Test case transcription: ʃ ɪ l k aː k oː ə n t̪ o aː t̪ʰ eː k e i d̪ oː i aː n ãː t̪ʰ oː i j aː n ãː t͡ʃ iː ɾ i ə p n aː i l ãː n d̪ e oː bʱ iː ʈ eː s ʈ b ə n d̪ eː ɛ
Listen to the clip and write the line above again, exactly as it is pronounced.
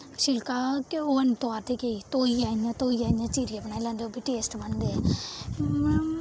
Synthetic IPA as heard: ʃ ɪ l k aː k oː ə n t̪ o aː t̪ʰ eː k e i t̪ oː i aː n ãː t̪ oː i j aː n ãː t͡ʃ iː ɾ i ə p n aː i l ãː n d̪ e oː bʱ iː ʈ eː s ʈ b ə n d̪ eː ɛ